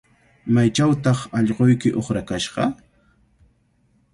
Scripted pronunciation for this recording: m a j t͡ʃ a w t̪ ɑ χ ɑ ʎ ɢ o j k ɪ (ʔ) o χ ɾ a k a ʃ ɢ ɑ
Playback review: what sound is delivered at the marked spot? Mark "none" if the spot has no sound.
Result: ʔ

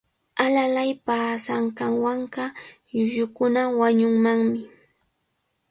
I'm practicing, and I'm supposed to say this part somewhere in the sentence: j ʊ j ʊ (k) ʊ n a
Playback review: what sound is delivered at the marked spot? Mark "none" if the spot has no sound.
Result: k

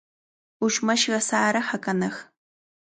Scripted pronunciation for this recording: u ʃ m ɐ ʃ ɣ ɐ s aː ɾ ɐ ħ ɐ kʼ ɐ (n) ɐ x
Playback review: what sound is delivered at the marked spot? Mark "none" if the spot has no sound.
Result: n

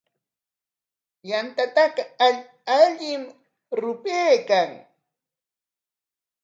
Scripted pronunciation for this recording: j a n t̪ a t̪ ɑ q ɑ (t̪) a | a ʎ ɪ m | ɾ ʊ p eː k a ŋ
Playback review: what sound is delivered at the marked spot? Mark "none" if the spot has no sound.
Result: none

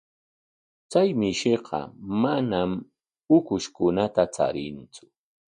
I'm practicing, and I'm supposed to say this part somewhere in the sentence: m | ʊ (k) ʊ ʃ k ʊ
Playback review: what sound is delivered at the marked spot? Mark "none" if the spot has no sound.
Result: k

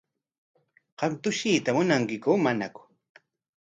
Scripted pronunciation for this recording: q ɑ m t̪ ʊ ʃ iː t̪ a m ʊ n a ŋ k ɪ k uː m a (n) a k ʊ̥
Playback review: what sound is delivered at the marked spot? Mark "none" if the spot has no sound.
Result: n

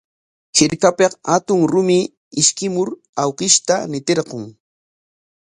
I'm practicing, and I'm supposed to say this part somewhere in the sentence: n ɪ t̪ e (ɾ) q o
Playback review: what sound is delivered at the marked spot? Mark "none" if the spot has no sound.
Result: ɾ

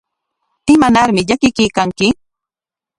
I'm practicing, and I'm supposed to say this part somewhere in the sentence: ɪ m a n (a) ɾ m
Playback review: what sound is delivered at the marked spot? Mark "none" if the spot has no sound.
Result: a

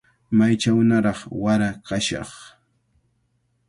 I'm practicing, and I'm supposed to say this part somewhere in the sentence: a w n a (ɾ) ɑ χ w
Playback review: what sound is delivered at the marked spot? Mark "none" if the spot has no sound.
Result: ɾ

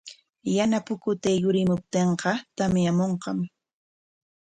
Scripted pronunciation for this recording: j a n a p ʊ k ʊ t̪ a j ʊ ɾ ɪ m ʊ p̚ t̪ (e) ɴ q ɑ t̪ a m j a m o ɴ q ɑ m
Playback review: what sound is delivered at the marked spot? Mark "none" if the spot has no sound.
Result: e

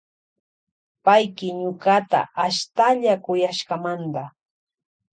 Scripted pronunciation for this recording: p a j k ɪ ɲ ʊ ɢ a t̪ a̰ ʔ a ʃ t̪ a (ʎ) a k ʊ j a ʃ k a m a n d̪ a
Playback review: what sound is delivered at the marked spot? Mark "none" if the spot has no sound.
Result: ʎ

